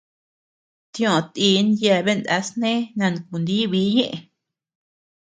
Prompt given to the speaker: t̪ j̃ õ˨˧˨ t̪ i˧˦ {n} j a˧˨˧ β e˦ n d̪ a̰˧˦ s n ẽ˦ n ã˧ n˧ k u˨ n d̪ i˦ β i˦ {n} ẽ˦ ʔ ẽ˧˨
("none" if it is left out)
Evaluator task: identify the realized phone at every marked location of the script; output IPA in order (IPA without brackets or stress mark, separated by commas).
n, ɲ